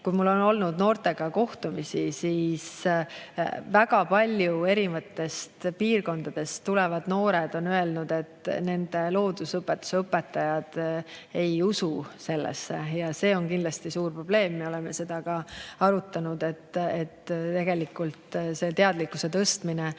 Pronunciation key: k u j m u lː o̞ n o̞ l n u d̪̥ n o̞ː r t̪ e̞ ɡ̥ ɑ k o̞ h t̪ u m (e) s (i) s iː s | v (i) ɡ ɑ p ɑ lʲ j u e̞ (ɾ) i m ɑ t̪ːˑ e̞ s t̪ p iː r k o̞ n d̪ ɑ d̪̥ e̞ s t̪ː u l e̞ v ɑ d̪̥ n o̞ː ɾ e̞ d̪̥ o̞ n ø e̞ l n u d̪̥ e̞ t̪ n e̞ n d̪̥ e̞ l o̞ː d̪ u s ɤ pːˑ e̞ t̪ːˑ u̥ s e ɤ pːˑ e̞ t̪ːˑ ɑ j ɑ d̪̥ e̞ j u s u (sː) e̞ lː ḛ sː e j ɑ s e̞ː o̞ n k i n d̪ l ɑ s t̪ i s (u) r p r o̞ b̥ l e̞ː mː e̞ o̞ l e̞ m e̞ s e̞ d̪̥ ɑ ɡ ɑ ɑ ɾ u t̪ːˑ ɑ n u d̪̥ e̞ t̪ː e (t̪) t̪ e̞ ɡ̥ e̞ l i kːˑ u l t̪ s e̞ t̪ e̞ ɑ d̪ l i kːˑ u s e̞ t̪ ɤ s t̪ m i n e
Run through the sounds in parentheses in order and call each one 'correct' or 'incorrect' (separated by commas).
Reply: incorrect, correct, incorrect, correct, incorrect, incorrect, correct